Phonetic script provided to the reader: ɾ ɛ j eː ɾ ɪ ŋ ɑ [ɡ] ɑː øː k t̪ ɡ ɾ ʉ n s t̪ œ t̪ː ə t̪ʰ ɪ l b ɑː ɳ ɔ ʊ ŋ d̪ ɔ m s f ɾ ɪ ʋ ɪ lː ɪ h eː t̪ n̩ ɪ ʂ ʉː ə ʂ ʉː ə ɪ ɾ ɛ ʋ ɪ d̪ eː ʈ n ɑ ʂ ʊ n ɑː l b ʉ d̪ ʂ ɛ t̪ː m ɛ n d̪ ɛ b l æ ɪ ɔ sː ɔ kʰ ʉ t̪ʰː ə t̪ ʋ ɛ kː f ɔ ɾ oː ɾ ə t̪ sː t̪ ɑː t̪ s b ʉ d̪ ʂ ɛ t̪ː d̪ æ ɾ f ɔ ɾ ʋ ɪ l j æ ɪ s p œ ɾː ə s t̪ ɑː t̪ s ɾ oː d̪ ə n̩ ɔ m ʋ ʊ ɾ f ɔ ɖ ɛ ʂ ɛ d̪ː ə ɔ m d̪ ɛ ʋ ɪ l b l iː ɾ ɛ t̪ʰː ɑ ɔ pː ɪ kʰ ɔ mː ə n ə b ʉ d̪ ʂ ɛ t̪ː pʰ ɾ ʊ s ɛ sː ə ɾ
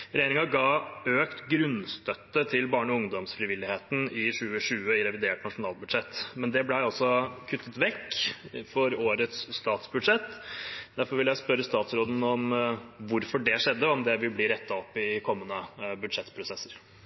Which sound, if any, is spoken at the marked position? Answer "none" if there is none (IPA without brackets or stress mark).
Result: ɡ